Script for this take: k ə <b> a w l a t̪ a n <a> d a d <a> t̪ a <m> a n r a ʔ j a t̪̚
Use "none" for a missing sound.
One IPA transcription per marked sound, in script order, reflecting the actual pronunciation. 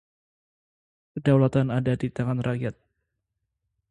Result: d, a, i, ŋ

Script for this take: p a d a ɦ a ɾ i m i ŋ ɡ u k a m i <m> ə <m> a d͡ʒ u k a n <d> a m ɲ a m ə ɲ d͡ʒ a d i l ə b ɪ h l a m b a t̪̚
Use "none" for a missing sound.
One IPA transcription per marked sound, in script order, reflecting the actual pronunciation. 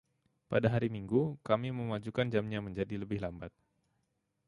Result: m, m, d͡ʒ

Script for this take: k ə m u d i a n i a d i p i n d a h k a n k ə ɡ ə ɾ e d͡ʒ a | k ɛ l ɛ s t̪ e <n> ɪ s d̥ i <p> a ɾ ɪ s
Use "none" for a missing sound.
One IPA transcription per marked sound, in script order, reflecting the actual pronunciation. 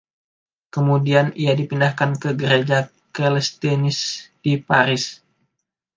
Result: n, p

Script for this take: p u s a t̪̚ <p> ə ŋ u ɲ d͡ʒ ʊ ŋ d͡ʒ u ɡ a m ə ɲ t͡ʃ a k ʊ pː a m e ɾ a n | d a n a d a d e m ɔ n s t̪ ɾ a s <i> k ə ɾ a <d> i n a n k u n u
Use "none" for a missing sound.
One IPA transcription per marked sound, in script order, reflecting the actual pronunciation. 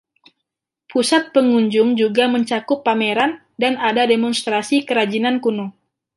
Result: p, i, d͡ʒ

